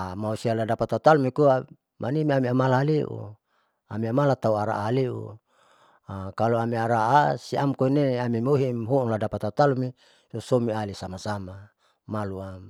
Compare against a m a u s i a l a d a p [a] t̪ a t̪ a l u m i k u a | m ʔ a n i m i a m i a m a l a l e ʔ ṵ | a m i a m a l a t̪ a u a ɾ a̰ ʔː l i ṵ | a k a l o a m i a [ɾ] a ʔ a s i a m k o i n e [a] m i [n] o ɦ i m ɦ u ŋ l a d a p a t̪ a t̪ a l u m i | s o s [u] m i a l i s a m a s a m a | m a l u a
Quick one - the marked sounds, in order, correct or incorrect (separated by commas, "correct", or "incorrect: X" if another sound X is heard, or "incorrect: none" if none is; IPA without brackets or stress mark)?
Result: correct, correct, correct, incorrect: m, incorrect: o